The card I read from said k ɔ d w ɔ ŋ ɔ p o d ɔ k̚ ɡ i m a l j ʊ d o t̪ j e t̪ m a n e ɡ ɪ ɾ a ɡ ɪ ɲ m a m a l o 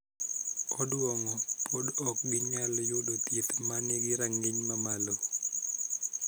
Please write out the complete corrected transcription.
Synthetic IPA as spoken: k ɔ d w ɔ ŋ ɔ p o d ɔ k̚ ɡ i ɲ a l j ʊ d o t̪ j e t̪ m a n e ɡ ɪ ɾ a ŋ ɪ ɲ m a m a l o